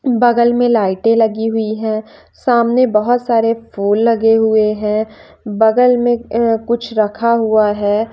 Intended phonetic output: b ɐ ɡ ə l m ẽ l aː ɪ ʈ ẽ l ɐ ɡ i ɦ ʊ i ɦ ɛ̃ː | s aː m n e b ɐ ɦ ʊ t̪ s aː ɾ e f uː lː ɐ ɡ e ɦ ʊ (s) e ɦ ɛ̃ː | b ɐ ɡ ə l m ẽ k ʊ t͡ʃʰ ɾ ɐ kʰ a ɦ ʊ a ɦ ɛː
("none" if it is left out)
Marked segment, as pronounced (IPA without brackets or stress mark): none